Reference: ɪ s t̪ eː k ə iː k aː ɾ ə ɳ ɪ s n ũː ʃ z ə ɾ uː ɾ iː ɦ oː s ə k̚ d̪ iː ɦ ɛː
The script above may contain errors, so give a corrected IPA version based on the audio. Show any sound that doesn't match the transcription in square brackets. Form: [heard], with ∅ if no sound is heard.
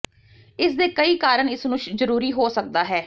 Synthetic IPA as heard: ɪ s [d̪] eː k ə iː k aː ɾ ə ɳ ɪ s n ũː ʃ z ə ɾ uː ɾ iː ɦ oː s ə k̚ d̪ [aː] ɦ ɛː